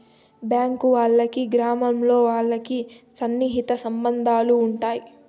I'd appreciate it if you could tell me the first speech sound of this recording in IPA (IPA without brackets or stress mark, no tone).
b